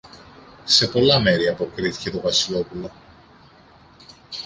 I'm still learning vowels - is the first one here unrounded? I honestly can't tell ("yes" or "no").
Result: yes